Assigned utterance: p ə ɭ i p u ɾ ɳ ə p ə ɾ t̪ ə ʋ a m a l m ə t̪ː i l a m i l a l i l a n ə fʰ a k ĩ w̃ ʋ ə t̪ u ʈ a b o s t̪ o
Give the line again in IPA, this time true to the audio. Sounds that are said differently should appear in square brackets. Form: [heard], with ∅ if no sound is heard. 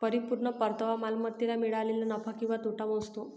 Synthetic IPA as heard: p ə [ɾ] i p u ɾ ɳ ə p ə ɾ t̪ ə ʋ a m a l m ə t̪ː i l a m i [ɭ] a l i l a n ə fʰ a k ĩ w̃ ʋ [a] t̪ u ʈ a [m] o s t̪ o